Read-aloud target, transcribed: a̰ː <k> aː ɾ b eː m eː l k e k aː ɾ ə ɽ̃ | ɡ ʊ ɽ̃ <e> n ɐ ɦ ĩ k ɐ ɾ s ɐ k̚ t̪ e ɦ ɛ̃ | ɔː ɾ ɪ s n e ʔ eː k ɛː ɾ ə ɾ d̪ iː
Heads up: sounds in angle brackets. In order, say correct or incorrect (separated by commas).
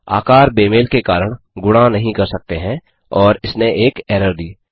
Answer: correct, incorrect